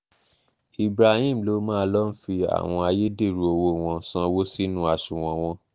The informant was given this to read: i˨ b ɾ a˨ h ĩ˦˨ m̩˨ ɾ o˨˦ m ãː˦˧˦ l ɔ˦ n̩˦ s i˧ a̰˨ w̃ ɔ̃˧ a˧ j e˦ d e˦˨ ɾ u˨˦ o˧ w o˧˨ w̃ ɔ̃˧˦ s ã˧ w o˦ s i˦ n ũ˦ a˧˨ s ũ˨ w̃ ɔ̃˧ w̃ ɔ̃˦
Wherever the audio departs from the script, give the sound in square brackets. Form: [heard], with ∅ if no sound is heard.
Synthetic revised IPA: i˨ b ɾ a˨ h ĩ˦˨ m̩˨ [l] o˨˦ m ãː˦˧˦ l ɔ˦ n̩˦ [f] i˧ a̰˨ w̃ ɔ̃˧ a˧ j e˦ d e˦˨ ɾ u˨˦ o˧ w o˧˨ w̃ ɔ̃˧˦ s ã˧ w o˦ s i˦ n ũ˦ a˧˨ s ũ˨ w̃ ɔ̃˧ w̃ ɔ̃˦